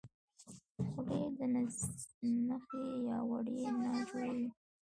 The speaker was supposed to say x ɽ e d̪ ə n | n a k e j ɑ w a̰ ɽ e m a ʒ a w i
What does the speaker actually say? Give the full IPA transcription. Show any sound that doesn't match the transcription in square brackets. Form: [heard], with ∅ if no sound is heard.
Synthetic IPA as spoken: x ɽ e d̪ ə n | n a [x] e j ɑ w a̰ ɽ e [n] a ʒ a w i